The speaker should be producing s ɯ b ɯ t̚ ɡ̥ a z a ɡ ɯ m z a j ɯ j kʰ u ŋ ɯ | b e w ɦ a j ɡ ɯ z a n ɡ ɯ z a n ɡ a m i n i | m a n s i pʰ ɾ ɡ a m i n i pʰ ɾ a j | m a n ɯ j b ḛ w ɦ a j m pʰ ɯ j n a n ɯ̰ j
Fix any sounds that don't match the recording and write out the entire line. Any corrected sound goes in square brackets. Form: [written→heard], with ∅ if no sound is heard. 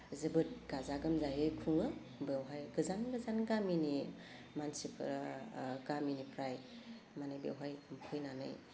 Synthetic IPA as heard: [s→z] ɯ b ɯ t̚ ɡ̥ a z a ɡ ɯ m z a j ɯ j kʰ u ŋ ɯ | b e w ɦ a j ɡ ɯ z a n ɡ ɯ z a n ɡ a m i n i | m a n s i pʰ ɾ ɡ a m i n i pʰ ɾ a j | m a n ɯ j b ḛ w ɦ a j m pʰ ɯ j n a n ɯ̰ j